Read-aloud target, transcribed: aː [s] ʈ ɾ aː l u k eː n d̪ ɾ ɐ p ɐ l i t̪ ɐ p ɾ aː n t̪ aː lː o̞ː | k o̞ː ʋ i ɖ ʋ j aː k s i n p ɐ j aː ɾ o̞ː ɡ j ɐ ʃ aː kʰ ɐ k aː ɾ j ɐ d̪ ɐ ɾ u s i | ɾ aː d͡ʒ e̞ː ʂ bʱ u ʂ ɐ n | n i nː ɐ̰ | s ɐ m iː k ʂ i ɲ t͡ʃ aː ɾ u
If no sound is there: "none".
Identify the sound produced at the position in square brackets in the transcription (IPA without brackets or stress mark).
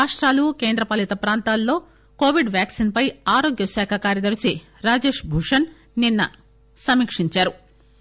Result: ʂ